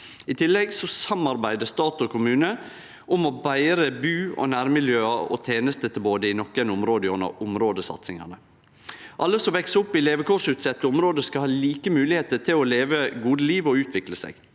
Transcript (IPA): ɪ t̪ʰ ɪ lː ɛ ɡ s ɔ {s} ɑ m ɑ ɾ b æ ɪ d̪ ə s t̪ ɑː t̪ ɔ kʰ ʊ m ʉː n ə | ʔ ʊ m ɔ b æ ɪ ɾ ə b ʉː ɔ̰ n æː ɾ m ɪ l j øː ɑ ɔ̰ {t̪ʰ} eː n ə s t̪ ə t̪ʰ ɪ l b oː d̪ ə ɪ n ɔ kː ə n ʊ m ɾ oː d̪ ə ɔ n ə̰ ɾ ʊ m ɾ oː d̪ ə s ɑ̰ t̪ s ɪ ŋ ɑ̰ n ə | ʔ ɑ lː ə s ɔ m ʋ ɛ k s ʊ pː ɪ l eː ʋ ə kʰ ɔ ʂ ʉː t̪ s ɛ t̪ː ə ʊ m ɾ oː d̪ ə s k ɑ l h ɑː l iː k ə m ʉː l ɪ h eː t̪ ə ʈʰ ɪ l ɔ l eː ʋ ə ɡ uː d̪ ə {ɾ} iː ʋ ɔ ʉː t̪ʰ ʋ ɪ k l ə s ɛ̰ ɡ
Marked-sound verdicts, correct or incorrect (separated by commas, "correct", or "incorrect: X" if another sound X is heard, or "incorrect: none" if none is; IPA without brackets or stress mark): correct, correct, incorrect: l